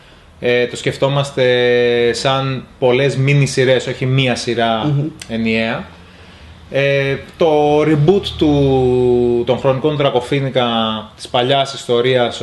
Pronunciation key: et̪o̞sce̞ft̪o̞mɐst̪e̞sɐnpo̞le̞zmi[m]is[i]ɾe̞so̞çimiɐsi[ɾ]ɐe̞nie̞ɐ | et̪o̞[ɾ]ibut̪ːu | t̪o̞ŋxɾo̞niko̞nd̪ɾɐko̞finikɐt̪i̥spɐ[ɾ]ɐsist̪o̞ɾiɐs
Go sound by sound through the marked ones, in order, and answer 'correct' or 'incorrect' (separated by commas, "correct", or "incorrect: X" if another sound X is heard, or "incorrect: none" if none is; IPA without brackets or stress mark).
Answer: incorrect: n, correct, correct, correct, incorrect: ʎ